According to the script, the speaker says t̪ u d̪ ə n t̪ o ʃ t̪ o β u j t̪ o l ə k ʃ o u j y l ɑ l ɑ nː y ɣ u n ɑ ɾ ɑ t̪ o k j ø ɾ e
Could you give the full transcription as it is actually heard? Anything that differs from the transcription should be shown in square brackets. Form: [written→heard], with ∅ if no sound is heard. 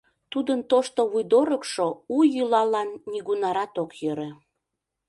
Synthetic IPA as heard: t̪ u d̪ ə n t̪ o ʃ t̪ o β u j [t̪→d̪] o [l→ɾ] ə k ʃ o u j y l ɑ l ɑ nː [y→i] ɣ u n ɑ ɾ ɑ t̪ o k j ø ɾ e